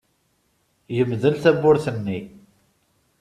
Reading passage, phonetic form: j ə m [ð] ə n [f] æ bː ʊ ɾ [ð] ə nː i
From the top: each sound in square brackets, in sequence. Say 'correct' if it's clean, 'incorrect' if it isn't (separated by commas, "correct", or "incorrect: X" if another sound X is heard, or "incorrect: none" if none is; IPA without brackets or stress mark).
correct, incorrect: θ, incorrect: θ